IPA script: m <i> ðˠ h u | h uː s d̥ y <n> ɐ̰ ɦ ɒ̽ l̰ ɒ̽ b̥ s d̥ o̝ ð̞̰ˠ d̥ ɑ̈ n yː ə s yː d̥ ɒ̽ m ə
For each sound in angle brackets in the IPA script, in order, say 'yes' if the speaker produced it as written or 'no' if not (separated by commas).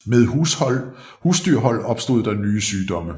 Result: no, no